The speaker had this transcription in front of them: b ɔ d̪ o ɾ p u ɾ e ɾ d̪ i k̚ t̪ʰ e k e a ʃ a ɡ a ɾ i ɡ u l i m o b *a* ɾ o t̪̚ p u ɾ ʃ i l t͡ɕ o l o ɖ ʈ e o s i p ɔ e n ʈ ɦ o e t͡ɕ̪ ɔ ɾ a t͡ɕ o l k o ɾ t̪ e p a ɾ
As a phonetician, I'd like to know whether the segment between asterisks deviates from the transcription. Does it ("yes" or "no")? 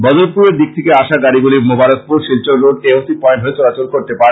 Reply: no